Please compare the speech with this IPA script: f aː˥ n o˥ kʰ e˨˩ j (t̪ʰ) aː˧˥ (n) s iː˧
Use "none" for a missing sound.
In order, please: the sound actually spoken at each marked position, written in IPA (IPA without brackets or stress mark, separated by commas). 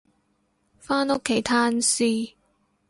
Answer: t̪ʰ, n